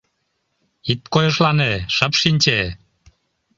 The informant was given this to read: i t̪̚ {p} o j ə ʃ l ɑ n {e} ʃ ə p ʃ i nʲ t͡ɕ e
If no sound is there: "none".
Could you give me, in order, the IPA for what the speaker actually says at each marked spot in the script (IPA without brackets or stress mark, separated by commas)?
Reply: k, e